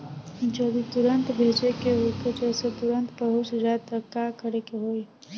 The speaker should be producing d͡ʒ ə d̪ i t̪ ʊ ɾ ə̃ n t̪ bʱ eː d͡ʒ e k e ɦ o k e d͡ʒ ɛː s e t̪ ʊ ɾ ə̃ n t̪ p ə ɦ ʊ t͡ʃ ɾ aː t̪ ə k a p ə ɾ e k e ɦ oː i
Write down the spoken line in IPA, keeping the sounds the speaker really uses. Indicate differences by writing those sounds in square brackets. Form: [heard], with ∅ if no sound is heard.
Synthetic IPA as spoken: d͡ʒ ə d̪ i t̪ ʊ ɾ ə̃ n t̪ bʱ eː d͡ʒ e k e ɦ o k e d͡ʒ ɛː s e t̪ ʊ ɾ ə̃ n t̪ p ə ɦ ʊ t͡ʃ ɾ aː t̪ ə k a [k] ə ɾ e k e ɦ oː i